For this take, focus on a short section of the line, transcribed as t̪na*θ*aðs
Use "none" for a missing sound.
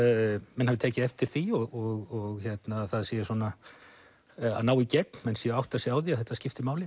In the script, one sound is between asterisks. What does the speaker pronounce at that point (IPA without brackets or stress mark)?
θ